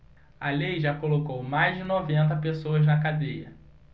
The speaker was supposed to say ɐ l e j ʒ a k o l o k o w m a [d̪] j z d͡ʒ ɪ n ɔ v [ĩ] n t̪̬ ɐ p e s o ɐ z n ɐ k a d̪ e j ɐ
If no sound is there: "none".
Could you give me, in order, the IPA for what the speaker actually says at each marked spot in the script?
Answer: none, ẽ

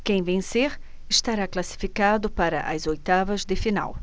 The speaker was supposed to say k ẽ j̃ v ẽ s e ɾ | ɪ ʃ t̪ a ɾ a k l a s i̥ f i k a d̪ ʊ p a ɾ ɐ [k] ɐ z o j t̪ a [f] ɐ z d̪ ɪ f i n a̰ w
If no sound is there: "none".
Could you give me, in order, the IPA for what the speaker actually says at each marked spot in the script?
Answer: ʔ, v

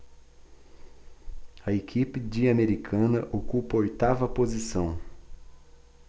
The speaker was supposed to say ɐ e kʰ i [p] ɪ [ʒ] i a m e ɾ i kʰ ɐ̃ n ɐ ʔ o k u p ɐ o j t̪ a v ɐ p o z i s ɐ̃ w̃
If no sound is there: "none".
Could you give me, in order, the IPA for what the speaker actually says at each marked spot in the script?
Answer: p, d͡ʒ

